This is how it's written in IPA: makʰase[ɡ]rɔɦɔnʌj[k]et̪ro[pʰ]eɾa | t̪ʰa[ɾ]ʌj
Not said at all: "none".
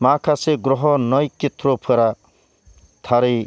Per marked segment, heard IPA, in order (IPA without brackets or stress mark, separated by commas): ɡ, k, pʰ, ɾ